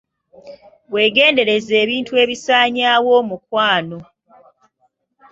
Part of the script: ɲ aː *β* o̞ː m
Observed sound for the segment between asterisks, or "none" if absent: w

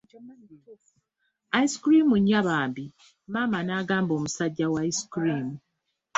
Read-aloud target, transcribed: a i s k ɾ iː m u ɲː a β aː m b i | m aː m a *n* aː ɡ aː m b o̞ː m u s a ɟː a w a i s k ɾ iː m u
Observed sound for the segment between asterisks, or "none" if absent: n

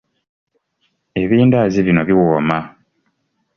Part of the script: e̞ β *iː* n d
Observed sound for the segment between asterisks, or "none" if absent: iː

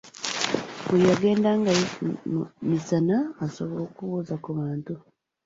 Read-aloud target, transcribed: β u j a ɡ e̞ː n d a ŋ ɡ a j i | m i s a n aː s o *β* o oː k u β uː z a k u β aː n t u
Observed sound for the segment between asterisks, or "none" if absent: β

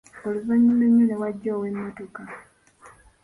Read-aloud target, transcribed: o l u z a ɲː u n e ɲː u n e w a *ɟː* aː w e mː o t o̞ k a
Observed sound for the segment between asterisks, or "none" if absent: ɟː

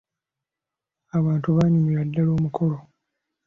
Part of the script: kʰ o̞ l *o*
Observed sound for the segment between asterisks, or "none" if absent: o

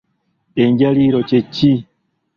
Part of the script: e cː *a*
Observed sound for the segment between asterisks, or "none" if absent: i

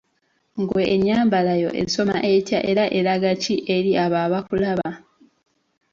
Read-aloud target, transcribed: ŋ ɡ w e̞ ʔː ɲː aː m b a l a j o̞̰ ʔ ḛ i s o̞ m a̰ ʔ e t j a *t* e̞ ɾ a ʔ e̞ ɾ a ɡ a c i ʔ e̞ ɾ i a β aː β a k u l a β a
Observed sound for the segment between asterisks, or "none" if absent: ʔ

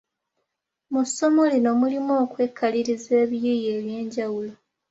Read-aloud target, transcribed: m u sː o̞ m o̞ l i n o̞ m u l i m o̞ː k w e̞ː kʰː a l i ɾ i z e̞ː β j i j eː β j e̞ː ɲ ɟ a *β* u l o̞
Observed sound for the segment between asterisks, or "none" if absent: w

